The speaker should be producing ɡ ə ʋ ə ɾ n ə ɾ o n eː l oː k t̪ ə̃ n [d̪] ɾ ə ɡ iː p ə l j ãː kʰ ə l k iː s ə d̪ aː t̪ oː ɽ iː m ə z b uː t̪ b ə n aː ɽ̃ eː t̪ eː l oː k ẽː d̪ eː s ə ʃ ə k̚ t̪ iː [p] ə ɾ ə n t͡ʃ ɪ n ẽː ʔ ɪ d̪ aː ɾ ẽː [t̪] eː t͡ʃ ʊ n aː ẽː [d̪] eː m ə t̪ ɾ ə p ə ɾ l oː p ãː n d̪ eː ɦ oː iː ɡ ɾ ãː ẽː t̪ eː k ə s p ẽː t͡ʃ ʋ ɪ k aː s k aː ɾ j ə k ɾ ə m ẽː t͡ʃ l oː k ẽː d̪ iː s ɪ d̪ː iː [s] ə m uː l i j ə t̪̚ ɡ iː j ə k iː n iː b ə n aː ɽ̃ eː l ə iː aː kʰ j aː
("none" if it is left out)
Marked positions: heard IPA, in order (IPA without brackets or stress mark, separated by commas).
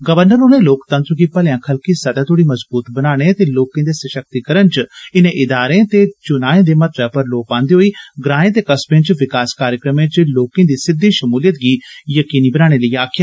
t̪, k, t̪, d̪, ʃ